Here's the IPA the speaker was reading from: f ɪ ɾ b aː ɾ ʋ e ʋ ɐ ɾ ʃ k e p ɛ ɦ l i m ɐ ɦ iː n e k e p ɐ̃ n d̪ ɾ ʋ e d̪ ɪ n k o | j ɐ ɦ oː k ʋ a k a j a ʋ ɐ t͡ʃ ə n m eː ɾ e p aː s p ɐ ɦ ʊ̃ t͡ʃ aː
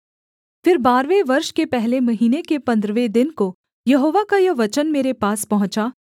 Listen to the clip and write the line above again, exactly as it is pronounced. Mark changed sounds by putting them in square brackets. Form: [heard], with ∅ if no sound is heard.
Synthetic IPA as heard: f ɪ ɾ b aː ɾ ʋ e ʋ ɐ ɾ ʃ k e p ɛ ɦ l [e] m ɐ ɦ iː n e k e p ɐ̃ n d̪ ɾ ʋ e d̪ ɪ n k o | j ɐ ɦ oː [∅] ʋ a k a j [ɐ] ʋ ɐ t͡ʃ ə n m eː ɾ e p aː s p ɐ ɦ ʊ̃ t͡ʃ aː